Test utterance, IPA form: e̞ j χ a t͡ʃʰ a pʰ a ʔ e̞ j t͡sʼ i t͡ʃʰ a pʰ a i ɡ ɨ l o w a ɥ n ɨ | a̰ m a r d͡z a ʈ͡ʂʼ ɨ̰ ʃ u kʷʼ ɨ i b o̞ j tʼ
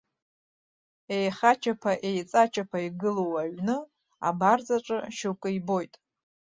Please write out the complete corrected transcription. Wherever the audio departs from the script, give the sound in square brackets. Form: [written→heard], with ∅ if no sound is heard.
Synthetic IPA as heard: e̞ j χ a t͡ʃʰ a pʰ a ʔ e̞ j t͡sʼ [i→a] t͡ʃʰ a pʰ a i ɡ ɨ l o w a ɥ n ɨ | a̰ [m→b] a r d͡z a ʈ͡ʂʼ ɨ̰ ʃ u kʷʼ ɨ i b o̞ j tʼ